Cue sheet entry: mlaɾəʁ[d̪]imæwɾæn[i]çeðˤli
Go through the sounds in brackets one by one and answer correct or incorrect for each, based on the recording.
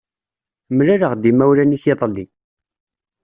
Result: correct, correct

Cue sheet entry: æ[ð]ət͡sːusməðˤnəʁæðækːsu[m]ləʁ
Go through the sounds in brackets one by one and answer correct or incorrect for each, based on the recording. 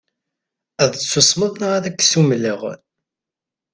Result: correct, correct

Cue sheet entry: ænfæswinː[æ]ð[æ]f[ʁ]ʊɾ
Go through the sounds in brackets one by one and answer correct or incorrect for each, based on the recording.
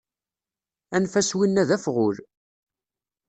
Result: correct, correct, correct

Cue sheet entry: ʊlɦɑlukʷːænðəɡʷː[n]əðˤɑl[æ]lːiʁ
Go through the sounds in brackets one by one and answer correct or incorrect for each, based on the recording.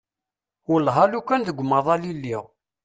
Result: incorrect, incorrect

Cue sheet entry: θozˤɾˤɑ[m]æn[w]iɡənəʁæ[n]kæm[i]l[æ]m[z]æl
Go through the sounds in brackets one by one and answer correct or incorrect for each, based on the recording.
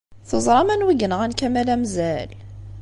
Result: correct, correct, correct, incorrect, correct, correct

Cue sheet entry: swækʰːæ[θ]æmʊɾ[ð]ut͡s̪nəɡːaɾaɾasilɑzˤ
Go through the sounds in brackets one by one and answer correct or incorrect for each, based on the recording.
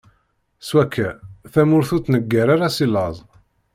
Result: correct, incorrect

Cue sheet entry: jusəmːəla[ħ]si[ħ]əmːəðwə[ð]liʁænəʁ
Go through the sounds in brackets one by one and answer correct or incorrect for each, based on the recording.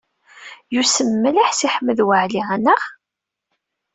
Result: correct, correct, incorrect

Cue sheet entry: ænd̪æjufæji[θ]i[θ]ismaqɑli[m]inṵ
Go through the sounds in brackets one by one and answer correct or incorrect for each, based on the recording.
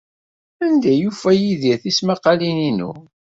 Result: incorrect, correct, incorrect

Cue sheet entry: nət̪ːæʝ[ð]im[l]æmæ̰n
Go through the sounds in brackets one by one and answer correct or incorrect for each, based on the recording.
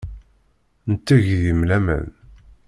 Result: correct, correct

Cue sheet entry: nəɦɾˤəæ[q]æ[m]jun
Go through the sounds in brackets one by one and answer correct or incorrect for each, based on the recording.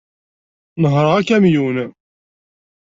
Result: incorrect, correct

